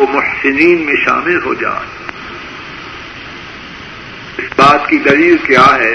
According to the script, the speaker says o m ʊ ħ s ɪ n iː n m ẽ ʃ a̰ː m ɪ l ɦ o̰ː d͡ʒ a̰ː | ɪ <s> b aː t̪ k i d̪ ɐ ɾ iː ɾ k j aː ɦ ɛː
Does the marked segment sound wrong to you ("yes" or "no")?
no